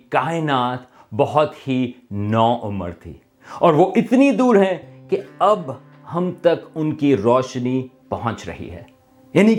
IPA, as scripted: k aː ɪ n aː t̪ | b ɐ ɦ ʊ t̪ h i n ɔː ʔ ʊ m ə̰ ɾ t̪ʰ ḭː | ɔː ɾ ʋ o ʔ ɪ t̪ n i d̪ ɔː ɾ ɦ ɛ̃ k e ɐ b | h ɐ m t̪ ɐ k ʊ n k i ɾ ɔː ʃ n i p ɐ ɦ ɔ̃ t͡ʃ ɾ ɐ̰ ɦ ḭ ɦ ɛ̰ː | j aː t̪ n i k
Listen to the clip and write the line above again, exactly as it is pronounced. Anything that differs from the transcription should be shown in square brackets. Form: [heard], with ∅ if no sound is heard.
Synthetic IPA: k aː ɪ n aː t̪ | b ɐ ɦ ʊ t̪ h i n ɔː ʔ ʊ m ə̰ ɾ t̪ʰ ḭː | ɔː ɾ ʋ o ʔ ɪ t̪ n i d̪ [uː] ɾ ɦ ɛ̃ k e ɐ b | h ɐ m t̪ ɐ k ʊ n k i ɾ ɔː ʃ n i p ɐ ɦ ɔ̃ t͡ʃ ɾ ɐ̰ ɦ ḭ ɦ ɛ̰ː | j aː [∅] n i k